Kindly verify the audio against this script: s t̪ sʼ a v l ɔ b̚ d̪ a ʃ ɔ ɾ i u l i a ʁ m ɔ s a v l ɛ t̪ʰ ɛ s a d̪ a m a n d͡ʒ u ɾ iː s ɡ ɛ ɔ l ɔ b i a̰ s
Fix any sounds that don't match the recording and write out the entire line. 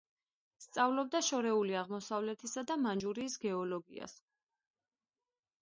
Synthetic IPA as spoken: s t̪ sʼ a v l ɔ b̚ d̪ a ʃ ɔ ɾ ɛ u l i a ʁ m ɔ s a v l ɛ t̪ʰ i s a d̪ a m a n d͡ʒ u ɾ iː s ɡ ɛ ɔ l ɔ ɡ i a̰ s